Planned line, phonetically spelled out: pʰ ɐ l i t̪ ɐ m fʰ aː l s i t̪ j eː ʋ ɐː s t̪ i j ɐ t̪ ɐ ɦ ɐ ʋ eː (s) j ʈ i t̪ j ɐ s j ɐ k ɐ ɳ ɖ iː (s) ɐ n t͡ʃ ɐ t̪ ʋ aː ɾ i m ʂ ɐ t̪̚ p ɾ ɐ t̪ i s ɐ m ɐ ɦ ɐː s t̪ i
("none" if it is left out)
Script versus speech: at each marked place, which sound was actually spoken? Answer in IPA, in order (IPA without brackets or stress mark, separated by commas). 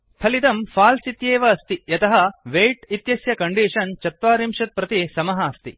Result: none, ʂ